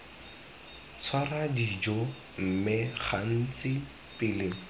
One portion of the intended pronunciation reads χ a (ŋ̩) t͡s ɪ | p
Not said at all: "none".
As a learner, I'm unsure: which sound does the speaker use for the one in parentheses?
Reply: n̩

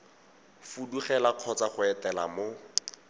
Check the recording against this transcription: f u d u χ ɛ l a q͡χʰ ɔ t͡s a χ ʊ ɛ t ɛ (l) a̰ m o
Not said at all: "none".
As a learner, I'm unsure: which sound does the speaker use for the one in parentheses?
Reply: l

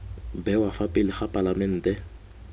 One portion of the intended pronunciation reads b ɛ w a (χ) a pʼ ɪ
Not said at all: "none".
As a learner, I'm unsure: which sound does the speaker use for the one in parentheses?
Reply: f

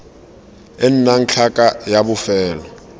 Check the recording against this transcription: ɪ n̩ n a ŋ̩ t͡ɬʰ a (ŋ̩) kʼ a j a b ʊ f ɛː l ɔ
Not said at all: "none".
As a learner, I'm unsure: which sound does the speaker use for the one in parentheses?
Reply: none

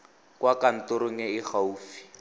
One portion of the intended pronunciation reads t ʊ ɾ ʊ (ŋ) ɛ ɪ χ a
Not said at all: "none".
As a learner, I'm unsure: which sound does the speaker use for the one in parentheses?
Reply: ŋ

